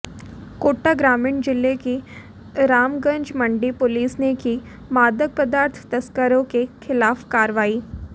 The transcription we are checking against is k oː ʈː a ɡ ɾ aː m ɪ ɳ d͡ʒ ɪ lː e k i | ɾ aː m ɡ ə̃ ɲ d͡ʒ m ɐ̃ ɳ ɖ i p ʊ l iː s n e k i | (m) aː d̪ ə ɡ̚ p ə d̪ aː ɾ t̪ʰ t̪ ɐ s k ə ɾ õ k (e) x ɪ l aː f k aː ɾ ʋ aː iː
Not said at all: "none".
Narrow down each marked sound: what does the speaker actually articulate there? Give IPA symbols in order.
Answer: m, e

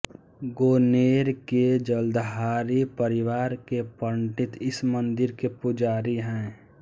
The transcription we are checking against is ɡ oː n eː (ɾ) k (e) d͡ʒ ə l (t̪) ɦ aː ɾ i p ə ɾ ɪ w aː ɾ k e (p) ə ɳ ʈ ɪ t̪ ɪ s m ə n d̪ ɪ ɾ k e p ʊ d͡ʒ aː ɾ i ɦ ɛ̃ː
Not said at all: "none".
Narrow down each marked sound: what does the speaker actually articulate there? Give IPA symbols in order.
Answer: ɾ, e, d̪, p

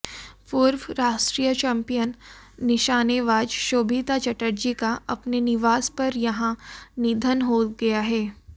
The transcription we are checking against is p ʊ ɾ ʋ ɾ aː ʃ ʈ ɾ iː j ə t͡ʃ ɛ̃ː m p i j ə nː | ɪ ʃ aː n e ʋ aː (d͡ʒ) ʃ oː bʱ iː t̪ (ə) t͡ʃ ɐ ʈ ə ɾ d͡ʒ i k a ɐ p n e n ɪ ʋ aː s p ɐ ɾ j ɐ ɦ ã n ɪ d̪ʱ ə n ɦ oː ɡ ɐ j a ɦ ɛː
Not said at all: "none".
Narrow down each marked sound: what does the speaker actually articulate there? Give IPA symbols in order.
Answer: d͡ʒ, a

